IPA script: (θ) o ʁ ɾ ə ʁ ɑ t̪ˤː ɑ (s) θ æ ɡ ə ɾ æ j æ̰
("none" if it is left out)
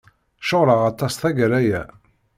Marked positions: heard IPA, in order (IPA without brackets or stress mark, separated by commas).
ʃ, s